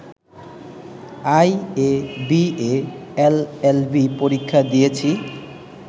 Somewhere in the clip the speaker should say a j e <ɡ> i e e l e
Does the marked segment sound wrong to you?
yes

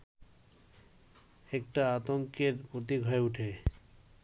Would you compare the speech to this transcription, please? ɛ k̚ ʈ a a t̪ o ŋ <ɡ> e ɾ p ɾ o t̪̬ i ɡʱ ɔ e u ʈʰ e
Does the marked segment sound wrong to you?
yes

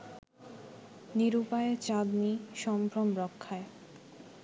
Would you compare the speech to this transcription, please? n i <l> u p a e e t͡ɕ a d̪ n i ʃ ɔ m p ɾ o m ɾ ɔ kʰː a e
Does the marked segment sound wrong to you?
yes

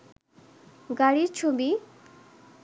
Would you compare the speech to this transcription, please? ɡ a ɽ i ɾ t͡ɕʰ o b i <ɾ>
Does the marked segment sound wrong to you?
yes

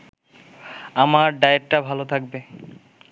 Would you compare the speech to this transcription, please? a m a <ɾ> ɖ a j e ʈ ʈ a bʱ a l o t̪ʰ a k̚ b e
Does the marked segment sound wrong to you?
no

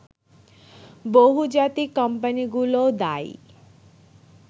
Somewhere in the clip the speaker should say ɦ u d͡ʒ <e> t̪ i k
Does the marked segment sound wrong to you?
yes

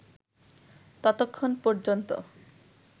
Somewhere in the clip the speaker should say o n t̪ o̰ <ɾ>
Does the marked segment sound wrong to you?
yes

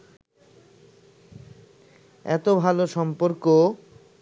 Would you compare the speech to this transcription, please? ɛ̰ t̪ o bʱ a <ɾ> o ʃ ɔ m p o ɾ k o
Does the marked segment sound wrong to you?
yes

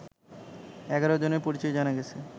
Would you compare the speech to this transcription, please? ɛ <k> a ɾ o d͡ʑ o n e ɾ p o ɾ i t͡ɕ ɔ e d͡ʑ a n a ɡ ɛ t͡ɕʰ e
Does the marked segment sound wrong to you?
yes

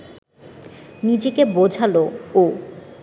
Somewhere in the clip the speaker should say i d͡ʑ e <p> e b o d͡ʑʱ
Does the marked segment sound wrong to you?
yes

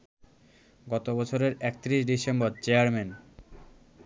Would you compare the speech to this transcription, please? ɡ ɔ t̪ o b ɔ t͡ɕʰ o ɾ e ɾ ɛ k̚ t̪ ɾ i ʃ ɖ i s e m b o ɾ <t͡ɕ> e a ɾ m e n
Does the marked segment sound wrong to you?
no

